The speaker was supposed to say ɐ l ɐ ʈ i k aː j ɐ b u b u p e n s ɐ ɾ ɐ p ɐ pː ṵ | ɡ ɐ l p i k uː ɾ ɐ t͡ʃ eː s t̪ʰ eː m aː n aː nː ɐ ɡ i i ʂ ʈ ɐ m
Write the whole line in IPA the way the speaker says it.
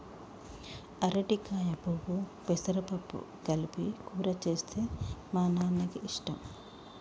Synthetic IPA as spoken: ɐ ɾ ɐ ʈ i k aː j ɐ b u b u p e s ɐ ɾ ɐ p ɐ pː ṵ | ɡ ɐ l p i k uː ɾ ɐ t͡ʃ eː s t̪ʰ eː m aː n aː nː ɐ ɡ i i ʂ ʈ ɐ m